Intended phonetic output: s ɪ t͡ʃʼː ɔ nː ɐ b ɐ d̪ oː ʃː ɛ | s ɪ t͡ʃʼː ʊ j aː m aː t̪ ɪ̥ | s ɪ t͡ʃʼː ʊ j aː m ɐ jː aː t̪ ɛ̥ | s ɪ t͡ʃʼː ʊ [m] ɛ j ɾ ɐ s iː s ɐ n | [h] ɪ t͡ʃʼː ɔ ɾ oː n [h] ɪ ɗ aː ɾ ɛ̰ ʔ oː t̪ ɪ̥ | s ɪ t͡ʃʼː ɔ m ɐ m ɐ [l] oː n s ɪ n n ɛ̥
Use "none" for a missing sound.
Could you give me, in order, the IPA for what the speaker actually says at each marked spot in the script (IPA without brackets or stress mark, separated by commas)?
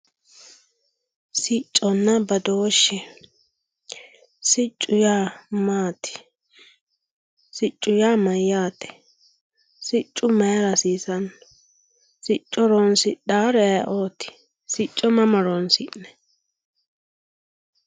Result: m, s, s, ɾ